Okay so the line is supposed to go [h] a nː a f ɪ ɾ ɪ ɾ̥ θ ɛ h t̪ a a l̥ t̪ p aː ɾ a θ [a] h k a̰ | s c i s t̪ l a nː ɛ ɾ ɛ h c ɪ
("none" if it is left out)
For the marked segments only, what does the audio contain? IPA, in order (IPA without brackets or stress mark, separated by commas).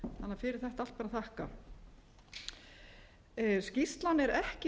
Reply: θ, a